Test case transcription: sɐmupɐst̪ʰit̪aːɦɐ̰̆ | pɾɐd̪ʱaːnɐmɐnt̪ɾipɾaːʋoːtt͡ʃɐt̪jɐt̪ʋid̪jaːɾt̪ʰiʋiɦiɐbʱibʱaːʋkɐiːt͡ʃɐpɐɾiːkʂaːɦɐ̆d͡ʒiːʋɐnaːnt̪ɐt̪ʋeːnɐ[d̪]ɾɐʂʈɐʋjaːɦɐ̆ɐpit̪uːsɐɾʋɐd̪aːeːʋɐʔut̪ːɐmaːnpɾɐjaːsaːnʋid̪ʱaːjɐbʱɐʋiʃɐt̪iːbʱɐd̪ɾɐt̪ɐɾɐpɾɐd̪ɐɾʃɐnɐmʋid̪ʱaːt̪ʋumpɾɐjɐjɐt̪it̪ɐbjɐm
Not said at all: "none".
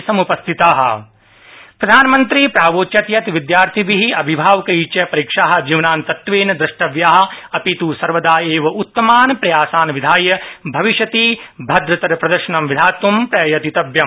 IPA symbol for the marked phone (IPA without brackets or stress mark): d̪